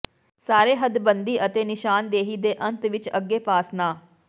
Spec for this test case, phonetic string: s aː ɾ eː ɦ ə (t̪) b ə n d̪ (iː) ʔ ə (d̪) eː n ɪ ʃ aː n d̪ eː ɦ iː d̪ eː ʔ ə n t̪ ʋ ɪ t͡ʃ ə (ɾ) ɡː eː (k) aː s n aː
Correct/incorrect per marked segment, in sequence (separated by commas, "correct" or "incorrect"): incorrect, correct, incorrect, incorrect, incorrect